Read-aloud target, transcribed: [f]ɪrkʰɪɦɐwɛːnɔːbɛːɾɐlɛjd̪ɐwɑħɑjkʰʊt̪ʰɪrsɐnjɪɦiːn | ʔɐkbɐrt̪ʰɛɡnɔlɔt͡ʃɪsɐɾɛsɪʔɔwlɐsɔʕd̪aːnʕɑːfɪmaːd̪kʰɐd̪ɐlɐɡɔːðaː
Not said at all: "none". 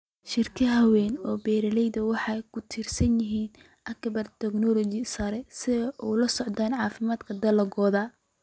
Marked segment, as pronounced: ʃ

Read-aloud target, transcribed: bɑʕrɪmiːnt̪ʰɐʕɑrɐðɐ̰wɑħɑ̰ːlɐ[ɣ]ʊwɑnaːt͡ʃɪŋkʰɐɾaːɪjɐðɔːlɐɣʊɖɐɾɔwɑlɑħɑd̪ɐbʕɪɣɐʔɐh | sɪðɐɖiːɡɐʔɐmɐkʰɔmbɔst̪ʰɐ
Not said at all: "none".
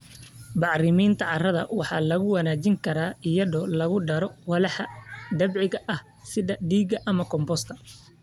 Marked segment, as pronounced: ɣ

